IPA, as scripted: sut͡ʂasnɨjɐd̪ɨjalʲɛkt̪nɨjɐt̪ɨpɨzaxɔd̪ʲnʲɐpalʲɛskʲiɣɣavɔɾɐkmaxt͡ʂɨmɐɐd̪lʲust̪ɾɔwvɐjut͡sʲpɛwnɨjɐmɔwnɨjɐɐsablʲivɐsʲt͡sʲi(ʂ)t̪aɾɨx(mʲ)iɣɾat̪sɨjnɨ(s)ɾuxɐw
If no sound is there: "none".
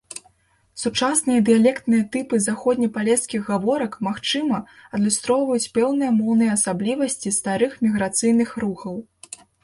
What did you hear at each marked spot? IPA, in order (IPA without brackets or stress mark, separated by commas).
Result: s, mʲ, x